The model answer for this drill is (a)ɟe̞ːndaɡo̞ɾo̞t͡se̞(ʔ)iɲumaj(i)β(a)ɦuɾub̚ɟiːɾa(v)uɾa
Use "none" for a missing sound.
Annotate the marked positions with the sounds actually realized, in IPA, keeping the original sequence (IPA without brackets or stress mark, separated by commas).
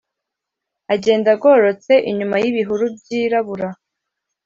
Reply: a, ʔ, i, i, β